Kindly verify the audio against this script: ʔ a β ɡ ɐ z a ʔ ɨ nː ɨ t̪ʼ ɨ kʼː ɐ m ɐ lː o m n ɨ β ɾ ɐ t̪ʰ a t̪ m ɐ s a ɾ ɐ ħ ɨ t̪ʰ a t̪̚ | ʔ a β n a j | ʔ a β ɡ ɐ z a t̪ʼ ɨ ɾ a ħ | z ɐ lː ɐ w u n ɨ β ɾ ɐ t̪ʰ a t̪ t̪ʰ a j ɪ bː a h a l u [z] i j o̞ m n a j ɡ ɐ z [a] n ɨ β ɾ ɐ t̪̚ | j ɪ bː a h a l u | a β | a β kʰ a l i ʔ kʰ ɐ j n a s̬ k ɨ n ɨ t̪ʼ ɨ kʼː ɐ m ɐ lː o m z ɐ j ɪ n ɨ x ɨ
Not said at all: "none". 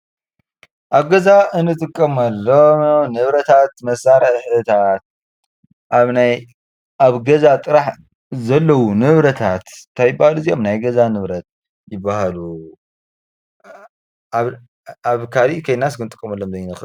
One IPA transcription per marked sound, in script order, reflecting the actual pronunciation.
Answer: z, a

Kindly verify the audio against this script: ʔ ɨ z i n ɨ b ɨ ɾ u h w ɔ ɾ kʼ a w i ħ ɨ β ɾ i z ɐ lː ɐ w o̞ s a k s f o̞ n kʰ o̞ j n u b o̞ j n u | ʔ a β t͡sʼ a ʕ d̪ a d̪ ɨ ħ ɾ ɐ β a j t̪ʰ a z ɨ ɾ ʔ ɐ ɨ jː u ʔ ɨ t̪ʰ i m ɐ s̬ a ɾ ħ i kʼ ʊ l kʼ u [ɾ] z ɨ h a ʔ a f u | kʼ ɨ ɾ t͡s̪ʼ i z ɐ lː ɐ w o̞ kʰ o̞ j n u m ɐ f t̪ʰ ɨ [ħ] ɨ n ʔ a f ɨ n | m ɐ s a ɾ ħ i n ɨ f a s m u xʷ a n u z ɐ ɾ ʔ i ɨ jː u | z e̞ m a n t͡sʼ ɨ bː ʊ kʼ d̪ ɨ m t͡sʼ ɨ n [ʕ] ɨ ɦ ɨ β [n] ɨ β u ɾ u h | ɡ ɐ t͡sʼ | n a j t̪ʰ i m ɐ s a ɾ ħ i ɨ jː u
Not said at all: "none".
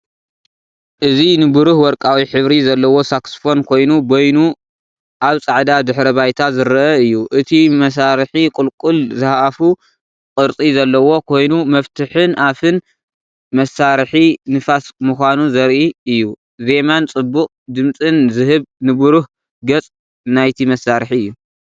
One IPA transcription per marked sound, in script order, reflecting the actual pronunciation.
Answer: l, ħ, z, n

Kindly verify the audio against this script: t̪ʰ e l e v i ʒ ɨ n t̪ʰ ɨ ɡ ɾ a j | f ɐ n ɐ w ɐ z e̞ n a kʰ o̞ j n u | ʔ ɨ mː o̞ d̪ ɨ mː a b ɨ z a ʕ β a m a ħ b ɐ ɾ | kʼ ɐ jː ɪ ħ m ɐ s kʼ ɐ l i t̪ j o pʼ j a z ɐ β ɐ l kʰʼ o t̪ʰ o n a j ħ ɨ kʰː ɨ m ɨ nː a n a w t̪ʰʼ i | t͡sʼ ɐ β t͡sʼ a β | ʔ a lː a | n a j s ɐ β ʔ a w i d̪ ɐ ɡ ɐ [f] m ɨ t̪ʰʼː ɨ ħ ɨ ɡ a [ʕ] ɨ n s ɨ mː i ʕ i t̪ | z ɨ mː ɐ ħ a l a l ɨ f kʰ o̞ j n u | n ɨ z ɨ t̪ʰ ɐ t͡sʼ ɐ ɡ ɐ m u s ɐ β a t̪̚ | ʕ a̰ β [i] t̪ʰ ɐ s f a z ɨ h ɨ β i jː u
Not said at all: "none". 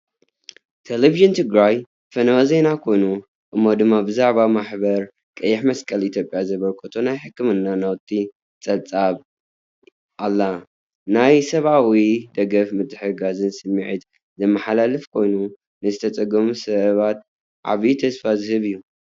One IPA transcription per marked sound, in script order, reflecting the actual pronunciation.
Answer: f, z, i

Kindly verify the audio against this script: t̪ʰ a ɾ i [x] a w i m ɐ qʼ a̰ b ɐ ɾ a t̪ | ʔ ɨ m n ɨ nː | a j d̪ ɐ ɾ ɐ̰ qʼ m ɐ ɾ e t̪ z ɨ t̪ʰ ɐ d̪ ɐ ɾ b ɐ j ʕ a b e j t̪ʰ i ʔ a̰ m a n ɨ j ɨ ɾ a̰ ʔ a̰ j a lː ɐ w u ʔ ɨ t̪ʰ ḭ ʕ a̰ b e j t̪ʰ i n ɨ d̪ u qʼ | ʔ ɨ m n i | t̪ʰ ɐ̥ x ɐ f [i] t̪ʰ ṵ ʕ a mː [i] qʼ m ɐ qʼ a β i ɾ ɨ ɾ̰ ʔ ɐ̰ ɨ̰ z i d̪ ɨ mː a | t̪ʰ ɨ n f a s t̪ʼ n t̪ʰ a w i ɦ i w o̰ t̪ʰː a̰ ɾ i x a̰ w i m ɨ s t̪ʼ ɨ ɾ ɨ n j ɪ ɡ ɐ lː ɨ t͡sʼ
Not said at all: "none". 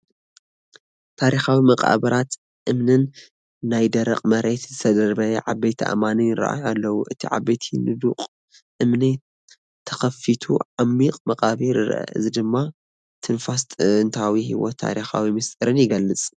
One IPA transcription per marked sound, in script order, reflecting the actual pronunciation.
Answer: x, i, i

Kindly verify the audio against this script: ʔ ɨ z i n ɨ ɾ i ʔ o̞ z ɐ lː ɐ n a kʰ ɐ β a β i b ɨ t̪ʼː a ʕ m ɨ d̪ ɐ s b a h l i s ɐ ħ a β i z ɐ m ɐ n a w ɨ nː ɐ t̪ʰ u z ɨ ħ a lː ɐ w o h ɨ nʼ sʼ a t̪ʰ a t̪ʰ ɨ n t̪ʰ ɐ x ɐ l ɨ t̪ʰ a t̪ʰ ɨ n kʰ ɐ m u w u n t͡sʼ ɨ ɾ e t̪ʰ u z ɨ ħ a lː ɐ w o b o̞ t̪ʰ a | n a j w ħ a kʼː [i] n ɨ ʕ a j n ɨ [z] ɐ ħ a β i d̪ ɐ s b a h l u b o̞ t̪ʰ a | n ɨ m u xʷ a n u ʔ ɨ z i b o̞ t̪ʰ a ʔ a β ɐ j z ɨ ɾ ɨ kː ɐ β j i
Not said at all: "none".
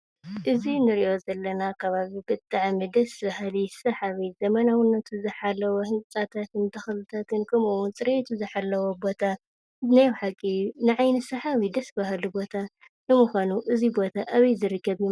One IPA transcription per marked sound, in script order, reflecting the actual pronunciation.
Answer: i, s

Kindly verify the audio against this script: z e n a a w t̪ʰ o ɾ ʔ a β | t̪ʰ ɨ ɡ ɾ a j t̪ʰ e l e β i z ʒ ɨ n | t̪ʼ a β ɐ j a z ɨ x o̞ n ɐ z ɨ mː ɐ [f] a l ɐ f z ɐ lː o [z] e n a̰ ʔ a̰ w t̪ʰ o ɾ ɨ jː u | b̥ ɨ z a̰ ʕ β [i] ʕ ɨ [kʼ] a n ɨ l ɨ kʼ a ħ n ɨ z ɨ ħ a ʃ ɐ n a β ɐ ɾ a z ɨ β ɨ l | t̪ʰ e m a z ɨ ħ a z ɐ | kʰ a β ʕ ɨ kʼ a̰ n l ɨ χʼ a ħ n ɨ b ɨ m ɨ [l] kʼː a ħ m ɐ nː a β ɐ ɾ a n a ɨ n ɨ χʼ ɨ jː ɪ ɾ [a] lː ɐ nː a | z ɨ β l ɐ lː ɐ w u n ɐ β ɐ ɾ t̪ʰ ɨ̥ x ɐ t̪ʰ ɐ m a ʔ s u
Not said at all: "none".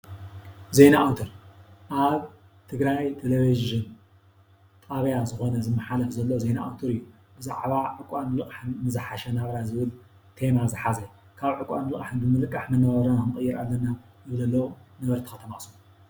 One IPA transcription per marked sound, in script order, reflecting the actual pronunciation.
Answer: ħ, z, a, kʼ, l, a

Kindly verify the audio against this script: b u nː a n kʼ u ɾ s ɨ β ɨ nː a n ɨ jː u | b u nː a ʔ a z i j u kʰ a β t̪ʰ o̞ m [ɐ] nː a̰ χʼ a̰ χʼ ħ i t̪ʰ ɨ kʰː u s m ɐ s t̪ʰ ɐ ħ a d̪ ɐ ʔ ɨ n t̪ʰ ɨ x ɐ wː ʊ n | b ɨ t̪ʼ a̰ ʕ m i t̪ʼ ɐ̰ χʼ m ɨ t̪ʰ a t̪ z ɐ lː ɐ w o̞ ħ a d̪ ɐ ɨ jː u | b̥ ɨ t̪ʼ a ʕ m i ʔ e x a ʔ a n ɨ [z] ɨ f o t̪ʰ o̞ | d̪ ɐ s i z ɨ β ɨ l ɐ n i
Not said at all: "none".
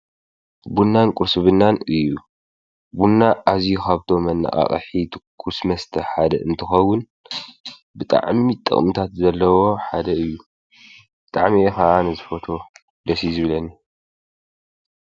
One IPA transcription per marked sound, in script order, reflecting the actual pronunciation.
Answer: ɐ, z

